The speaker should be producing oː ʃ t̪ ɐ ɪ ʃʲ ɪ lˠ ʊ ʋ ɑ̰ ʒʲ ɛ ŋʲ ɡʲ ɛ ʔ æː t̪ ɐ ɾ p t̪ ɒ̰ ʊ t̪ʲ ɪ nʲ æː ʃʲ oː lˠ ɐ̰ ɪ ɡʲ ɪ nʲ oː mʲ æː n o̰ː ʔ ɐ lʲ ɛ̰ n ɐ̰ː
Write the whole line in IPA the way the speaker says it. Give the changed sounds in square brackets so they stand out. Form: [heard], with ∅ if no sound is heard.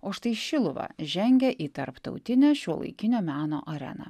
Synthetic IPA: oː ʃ t̪ ɐ ɪ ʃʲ ɪ lˠ ʊ ʋ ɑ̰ ʒʲ ɛ ŋʲ ɡʲ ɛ ʔ [iː] t̪ ɐ ɾ p t̪ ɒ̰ ʊ t̪ʲ ɪ nʲ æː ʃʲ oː lˠ ɐ̰ ɪ [kʲ] ɪ nʲ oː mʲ æː n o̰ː ʔ ɐ [ɾʲ] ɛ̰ n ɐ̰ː